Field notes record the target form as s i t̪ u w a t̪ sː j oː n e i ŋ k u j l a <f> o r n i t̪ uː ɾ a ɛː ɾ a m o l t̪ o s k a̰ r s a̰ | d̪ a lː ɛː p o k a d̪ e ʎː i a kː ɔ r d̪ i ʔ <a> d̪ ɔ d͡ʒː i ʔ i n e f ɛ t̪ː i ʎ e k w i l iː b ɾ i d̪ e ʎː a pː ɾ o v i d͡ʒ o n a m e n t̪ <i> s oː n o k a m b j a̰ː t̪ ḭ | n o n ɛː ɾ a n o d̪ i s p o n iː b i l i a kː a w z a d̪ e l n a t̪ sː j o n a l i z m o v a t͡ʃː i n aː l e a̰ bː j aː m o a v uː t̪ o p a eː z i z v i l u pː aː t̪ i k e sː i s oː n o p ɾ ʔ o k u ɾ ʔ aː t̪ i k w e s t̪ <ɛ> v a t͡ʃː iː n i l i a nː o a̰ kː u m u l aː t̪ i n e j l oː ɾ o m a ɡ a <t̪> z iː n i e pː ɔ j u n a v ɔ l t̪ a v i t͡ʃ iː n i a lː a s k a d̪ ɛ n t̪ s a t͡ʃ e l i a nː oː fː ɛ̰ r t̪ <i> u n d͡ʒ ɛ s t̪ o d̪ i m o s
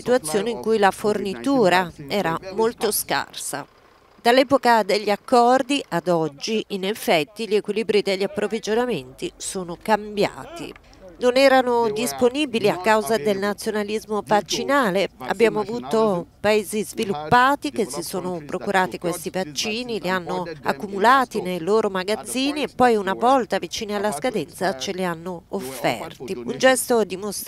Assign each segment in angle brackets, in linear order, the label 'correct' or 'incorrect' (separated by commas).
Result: correct, correct, correct, incorrect, incorrect, correct